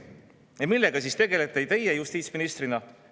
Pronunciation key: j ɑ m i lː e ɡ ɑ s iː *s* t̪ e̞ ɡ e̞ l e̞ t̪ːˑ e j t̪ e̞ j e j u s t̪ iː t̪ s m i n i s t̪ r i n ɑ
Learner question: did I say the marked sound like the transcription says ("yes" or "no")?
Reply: yes